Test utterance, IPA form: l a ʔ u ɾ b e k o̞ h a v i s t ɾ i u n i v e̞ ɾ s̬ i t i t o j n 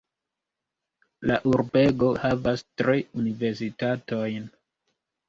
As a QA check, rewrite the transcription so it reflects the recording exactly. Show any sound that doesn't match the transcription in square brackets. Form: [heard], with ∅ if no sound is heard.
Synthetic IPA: l a ʔ u ɾ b e [ɡ] o̞ h a v [a] s t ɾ i u n i v e̞ ɾ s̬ i t [a] t o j n